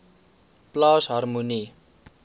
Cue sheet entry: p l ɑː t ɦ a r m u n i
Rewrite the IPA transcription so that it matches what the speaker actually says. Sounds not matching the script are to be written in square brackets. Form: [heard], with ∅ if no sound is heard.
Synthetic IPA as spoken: p l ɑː [s] ɦ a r m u n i